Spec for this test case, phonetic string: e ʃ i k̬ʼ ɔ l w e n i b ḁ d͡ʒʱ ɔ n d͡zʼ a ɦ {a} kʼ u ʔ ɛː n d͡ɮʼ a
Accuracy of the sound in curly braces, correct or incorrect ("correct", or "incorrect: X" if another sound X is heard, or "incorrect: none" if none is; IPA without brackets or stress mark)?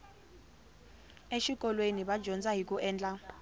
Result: incorrect: i